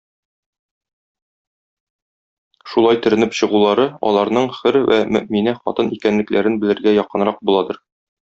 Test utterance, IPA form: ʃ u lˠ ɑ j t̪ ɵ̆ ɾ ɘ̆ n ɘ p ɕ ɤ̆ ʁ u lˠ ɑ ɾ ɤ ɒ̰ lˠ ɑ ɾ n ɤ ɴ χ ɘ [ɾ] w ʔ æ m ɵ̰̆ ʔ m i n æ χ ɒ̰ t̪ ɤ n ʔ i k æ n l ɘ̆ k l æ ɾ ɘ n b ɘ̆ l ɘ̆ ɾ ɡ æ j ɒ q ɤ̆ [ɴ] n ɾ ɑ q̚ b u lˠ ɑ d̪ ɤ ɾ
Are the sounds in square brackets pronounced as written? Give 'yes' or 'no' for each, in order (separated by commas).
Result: yes, no